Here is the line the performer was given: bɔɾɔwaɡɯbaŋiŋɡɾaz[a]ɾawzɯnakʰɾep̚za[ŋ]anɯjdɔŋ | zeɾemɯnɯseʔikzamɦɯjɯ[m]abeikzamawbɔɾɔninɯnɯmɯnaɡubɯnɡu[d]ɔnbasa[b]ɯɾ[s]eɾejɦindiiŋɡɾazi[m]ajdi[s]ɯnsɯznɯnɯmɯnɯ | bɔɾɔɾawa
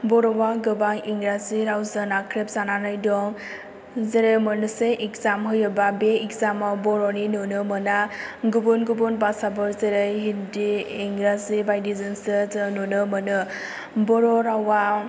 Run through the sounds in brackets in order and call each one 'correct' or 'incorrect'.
incorrect: i, incorrect: n, incorrect: b, incorrect: b, correct, incorrect: z, incorrect: b, incorrect: z

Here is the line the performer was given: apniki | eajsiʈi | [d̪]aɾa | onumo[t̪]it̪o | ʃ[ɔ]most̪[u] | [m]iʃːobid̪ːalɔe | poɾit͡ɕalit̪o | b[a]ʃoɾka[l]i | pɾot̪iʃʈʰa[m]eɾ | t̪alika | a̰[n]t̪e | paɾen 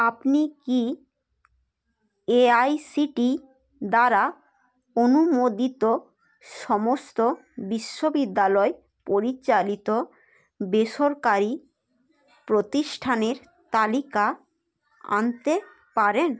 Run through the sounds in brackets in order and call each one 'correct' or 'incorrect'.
correct, incorrect: d̪, correct, incorrect: o, incorrect: b, incorrect: e, incorrect: ɾ, incorrect: n, correct

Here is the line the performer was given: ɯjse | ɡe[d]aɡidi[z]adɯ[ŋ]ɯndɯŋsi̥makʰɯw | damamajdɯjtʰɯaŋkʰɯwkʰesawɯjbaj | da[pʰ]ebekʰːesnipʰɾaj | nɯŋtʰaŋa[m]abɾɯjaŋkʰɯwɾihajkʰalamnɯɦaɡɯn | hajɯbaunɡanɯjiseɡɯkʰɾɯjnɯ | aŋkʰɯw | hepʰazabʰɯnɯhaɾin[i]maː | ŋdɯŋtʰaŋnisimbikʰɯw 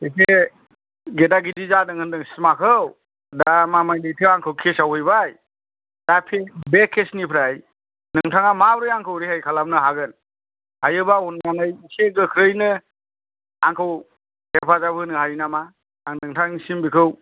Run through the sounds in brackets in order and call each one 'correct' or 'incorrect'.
correct, correct, correct, correct, correct, incorrect: a

